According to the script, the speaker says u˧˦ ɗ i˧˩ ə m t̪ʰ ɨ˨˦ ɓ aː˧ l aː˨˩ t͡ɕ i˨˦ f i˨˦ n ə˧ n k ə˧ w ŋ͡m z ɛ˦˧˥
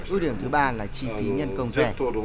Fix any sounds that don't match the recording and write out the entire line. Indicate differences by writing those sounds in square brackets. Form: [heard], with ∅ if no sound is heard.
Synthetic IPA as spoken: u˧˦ ɗ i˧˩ ə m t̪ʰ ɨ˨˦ ɓ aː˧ l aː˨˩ t͡ɕ [i˧˩] f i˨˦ [ɲ] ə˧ n k ə˧ w ŋ͡m z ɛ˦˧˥